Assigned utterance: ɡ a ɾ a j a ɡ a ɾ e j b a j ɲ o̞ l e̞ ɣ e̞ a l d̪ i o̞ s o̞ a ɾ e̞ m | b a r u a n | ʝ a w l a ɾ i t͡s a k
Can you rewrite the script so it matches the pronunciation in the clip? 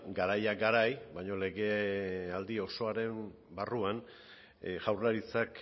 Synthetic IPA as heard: ɡ a ɾ a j a ɡ a ɾ a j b a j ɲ o̞ l e̞ ɣ e̞ a l d̪ i o̞ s o̞ a ɾ e̞ m | b a r u a n | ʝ a w r a ɾ i t͡s a k